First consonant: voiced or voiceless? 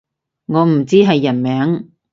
voiced